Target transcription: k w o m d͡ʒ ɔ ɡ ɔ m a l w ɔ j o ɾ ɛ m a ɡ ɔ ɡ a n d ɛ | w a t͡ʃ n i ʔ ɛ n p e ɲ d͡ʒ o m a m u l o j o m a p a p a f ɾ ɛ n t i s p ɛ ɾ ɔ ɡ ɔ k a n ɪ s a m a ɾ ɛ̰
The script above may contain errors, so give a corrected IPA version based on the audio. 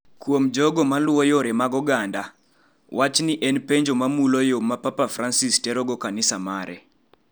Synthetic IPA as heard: k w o m d͡ʒ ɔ ɡ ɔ m a l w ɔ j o ɾ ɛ m a ɡ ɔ ɡ a n d a | w a t͡ʃ n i ʔ ɛ n p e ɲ d͡ʒ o m a m u l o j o m a p a p a f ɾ a n s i s t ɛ ɾ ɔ ɡ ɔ k a n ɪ s a m a ɾ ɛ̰